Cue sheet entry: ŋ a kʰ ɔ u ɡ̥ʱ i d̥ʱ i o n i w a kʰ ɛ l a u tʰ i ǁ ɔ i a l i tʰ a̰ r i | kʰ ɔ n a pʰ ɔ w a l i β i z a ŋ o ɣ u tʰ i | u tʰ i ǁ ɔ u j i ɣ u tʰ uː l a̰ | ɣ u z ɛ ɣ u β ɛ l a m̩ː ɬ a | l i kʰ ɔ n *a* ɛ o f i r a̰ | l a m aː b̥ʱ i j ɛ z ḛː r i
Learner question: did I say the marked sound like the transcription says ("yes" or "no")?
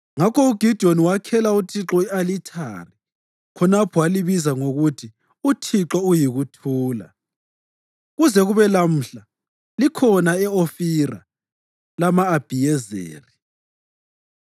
yes